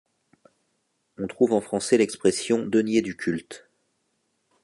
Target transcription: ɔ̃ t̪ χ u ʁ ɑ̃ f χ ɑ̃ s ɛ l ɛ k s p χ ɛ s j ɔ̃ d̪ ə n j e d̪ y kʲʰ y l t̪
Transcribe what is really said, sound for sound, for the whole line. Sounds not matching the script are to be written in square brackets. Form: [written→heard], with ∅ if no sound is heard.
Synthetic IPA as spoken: ɔ̃ t̪ χ u [ʁ→v] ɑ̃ f χ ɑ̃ s ɛ l ɛ k s p χ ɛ s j ɔ̃ d̪ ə n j e d̪ y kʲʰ y l t̪